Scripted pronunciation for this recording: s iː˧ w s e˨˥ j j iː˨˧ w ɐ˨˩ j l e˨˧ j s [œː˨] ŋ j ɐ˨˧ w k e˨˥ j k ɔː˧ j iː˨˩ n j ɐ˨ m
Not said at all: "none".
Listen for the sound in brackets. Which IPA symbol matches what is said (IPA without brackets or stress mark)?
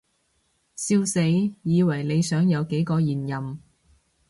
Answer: œː˨˥